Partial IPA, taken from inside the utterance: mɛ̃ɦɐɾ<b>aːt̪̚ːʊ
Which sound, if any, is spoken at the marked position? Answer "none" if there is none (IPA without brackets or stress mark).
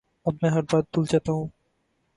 b